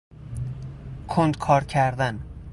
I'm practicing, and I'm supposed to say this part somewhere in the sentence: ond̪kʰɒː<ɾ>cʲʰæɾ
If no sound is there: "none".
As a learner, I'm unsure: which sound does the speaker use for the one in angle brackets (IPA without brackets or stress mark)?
ɾ